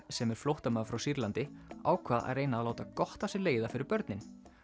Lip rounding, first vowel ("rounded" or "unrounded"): unrounded